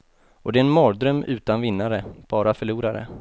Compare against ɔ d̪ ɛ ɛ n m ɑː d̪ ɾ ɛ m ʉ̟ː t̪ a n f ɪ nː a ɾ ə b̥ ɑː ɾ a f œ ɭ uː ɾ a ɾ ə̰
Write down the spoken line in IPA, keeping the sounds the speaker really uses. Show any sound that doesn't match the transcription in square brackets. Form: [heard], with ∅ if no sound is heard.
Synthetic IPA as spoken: ɔ d̪ ɛ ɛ n m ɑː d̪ ɾ [œ] m ʉ̟ː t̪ a n [v] ɪ nː a ɾ ə b̥ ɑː ɾ a f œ ɭ uː ɾ a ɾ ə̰